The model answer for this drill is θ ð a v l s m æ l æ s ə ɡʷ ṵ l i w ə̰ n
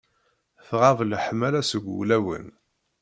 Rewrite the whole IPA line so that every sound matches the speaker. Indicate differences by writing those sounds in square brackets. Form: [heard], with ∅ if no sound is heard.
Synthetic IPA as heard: θ [ʁ] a v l [ħ] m æ l æ s ə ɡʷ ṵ l [æ] w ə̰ n